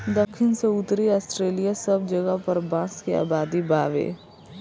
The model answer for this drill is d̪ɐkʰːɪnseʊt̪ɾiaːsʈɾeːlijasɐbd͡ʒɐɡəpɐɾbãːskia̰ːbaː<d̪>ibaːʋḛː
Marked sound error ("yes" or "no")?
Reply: no